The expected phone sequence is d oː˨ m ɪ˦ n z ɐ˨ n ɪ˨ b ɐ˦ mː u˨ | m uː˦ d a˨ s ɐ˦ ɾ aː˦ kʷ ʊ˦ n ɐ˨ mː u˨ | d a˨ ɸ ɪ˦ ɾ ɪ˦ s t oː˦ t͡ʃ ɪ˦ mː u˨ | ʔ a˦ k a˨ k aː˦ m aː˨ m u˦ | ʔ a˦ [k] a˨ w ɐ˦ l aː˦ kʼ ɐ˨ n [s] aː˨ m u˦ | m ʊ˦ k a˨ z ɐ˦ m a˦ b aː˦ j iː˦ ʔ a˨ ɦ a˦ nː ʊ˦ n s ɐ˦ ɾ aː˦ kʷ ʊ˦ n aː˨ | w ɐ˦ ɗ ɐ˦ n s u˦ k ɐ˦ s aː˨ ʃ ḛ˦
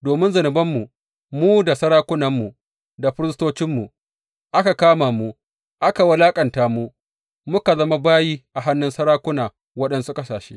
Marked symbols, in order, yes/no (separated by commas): yes, no